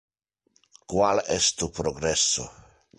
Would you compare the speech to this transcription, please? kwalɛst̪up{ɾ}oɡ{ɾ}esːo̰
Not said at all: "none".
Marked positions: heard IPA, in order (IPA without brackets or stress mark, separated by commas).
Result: ɾ, ɾ